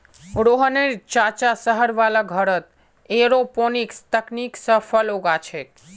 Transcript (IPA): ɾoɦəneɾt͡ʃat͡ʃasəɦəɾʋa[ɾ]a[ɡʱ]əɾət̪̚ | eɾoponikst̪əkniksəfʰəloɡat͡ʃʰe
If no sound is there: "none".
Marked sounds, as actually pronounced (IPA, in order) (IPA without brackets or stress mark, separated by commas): l, ɡʱ